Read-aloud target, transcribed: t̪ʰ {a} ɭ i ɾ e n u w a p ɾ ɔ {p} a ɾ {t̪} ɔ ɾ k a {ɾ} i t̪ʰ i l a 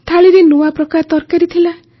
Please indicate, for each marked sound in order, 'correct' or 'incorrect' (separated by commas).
correct, incorrect, correct, correct